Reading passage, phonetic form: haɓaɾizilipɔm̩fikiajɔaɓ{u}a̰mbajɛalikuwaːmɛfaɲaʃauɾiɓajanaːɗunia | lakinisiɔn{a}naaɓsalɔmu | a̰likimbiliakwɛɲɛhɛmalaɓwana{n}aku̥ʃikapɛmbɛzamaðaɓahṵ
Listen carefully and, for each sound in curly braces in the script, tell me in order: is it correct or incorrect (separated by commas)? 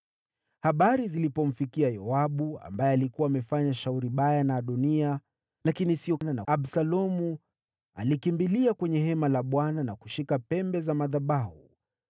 correct, correct, correct